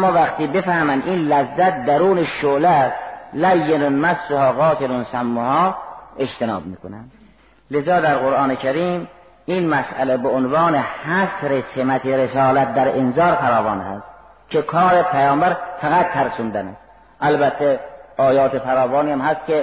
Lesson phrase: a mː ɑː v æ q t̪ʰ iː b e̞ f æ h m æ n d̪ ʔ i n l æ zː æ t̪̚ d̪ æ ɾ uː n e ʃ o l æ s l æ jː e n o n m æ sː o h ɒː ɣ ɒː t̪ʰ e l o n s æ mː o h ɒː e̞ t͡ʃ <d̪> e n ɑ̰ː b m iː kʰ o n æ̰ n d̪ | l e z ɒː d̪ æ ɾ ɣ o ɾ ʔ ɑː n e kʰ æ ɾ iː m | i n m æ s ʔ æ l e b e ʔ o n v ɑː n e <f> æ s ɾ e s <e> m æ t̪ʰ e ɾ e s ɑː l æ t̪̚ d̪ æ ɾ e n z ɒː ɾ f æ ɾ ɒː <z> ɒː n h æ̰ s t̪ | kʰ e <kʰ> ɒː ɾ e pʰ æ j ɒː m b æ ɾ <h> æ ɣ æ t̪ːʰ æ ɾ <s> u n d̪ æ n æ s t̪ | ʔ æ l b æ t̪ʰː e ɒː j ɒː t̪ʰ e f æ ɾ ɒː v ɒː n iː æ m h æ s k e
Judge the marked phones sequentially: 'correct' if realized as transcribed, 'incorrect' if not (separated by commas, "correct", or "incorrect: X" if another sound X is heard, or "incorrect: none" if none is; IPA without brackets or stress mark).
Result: incorrect: t̪, incorrect: h, correct, incorrect: v, correct, incorrect: f, correct